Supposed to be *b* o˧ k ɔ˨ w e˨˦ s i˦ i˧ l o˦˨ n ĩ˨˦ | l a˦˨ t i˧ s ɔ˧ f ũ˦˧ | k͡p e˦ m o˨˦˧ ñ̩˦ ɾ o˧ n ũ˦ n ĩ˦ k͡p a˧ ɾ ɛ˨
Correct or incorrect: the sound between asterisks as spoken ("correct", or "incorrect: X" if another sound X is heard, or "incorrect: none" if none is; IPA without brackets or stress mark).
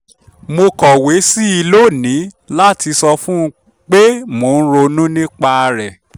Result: incorrect: m